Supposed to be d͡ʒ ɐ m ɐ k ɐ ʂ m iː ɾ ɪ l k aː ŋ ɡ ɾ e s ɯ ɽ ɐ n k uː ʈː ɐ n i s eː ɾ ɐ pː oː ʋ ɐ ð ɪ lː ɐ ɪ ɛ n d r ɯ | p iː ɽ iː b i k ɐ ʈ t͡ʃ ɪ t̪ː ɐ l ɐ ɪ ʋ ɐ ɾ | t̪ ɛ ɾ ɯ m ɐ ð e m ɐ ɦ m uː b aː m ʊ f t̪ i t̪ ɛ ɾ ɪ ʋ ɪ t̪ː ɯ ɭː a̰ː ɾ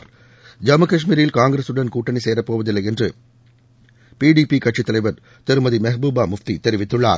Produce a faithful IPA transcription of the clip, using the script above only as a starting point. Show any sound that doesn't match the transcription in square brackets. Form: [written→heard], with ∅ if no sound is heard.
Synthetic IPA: d͡ʒ ɐ m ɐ k ɐ ʂ m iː ɾ ɪ l k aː ŋ ɡ ɾ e s ɯ ɽ ɐ n k uː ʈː ɐ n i s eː ɾ ɐ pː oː ʋ ɐ ð ɪ lː ɐ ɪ ɛ n d r ɯ | p iː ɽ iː [b→p] i k ɐ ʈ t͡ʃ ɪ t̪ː ɐ l ɐ ɪ ʋ ɐ ɾ | t̪ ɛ ɾ ɯ m ɐ ð [e→i] m ɐ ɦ [m→b] uː b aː m ʊ f t̪ i t̪ ɛ ɾ ɪ ʋ ɪ t̪ː ɯ ɭː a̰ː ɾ